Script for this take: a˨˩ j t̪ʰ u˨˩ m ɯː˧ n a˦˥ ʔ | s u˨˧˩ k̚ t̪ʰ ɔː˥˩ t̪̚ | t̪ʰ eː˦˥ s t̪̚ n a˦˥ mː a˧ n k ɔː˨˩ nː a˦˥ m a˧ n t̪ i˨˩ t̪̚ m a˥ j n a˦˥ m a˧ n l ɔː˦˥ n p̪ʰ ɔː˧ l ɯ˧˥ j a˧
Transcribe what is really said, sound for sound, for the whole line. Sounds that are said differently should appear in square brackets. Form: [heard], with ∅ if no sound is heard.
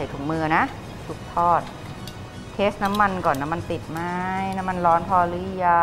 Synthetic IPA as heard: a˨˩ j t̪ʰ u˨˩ m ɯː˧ n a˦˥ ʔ | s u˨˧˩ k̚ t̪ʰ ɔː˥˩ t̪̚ | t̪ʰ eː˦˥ s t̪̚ n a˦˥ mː a˧ n k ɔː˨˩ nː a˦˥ m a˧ n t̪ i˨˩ t̪̚ m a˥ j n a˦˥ m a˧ n l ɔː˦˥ n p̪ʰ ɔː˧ l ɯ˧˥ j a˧